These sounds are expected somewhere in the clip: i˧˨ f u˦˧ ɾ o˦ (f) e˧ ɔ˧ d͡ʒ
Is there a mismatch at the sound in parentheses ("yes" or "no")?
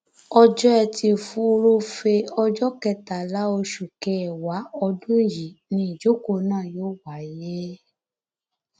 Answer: no